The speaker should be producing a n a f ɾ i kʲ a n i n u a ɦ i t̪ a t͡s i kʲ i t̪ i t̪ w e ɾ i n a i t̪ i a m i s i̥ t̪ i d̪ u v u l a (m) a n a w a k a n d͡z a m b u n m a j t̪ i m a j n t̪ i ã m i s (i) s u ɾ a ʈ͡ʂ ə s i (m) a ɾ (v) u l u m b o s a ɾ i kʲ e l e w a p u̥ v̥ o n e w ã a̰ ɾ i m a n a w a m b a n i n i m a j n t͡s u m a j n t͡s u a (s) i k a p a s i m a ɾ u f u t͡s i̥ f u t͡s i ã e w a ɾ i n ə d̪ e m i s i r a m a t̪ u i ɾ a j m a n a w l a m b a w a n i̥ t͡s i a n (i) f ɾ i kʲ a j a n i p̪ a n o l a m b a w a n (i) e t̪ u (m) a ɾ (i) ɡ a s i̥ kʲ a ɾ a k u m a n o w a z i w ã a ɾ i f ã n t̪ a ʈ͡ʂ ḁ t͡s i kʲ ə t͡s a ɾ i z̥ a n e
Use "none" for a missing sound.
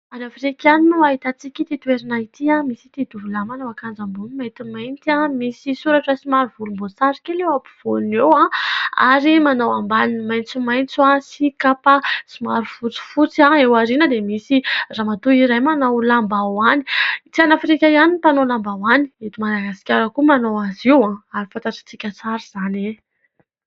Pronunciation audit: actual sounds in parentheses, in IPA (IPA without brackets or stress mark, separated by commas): m, i, m, v, s, a, i, m, a